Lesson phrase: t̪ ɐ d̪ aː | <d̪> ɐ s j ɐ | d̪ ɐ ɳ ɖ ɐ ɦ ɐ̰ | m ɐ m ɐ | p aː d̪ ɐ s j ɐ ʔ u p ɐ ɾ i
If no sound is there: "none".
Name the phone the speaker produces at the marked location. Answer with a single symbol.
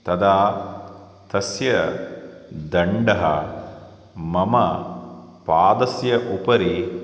t̪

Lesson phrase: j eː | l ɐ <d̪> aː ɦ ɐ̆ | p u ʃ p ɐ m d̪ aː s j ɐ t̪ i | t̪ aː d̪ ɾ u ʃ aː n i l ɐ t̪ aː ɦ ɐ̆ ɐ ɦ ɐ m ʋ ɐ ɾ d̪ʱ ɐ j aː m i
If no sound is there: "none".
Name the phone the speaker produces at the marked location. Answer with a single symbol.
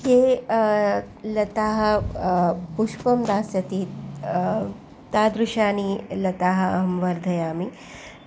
t̪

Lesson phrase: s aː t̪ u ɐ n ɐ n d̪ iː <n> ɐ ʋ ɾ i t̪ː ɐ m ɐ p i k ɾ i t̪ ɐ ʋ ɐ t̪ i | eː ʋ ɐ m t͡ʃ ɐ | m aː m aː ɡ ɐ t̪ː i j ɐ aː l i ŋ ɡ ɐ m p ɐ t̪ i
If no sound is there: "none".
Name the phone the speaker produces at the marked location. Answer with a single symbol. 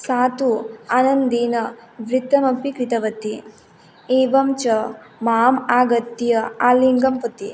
n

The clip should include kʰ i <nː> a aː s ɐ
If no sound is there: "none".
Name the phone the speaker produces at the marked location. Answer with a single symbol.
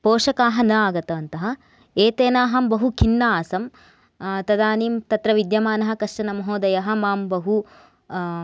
nː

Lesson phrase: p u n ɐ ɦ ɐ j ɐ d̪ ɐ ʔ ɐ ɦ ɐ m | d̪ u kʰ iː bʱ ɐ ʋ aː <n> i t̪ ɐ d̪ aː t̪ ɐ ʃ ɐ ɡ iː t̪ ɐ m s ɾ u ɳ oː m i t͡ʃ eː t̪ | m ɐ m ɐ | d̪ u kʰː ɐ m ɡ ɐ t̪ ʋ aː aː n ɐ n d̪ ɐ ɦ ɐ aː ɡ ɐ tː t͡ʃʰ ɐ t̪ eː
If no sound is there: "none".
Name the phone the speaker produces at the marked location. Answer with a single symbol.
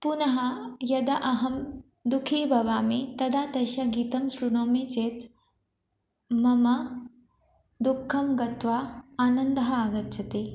m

